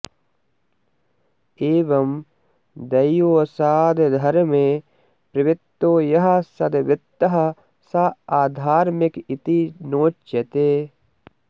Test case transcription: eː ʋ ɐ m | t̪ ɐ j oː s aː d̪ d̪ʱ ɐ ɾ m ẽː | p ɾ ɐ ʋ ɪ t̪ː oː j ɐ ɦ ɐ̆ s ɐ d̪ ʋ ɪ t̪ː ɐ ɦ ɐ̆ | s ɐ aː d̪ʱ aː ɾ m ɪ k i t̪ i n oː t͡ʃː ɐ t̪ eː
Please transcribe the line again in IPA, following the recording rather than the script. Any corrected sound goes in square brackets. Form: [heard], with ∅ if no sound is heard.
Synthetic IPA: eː ʋ ɐ m | [d̪] ɐ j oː s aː d̪ d̪ʱ ɐ ɾ m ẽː | p ɾ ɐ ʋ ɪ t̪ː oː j ɐ ɦ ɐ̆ s ɐ d̪ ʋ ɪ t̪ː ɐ ɦ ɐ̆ | s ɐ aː d̪ʱ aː ɾ m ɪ k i t̪ i n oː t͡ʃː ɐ t̪ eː